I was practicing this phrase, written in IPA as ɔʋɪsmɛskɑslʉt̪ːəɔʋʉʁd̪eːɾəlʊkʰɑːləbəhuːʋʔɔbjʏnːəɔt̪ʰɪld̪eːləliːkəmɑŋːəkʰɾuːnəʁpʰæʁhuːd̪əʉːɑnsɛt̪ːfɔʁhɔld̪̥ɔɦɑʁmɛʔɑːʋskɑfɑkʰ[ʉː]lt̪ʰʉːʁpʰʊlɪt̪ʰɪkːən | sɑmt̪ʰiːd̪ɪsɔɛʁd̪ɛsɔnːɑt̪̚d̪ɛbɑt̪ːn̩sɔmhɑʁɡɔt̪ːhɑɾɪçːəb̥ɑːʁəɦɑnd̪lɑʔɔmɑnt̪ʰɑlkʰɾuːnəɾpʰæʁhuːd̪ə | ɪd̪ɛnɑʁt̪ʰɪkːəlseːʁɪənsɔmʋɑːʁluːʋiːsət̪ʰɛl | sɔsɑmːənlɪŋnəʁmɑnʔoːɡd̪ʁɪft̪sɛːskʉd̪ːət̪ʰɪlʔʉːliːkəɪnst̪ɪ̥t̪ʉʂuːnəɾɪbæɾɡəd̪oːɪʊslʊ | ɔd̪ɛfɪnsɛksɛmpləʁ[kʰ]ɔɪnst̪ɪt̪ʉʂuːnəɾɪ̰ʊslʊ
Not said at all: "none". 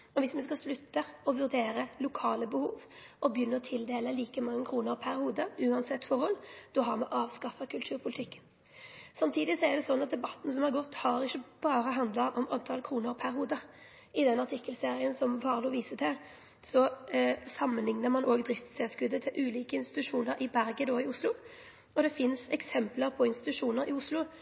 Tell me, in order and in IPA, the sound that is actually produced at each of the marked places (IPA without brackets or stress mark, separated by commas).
ʉ, pʰ